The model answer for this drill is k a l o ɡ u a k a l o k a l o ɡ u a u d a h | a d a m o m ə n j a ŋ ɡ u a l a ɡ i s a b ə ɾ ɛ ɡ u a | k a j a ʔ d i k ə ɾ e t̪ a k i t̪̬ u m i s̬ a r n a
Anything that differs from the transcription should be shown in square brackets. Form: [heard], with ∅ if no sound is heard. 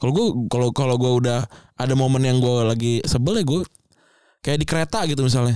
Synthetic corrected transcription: k a l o ɡ u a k a l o k a l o ɡ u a u d a h | a d a m o m ə n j a ŋ ɡ u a l a ɡ i s [ə] b ə [l] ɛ ɡ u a | k a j a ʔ d i k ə ɾ e t̪ a [ɡ] i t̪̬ u m i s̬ a [l] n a